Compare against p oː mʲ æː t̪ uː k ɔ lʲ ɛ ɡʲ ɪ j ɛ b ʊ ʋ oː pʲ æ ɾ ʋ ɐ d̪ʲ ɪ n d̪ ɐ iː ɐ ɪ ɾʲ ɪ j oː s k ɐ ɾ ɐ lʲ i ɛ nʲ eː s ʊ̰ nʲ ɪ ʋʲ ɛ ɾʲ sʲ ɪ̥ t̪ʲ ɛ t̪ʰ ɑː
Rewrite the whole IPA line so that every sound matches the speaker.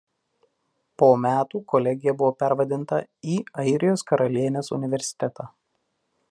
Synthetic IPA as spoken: p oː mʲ æː t̪ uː k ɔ lʲ ɛ ɡʲ ɪ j ɛ b ʊ ʋ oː pʲ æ ɾ ʋ ɐ d̪ʲ ɪ n t̪ ɐ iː ɐ ɪ ɾʲ ɪ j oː s k ɐ ɾ ɐ lʲ i ɛ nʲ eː s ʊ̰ nʲ ɪ ʋʲ ɛ ɾʲ sʲ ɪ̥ t̪ʲ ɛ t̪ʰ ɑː